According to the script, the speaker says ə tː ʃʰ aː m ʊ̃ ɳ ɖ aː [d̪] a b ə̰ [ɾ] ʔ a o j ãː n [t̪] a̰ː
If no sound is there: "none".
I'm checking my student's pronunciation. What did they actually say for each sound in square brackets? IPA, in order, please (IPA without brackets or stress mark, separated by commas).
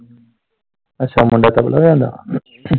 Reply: t̪, l, d̪